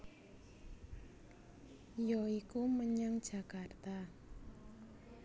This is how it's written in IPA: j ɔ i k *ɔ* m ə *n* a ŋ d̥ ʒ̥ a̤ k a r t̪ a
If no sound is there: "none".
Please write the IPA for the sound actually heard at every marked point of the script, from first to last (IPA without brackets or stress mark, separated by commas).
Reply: u, ɲ